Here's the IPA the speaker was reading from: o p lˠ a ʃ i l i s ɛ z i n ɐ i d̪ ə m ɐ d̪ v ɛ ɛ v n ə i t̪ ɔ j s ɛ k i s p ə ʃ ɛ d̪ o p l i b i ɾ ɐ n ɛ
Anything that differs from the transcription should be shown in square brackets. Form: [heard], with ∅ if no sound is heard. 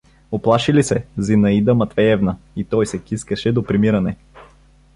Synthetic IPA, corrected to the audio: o p lˠ a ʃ i l i s ɛ z i n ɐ i d̪ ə m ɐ [t̪] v ɛ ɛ v n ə i t̪ ɔ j s ɛ k i s [k] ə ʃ ɛ d̪ o p [ɾ] i [m] i ɾ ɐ n ɛ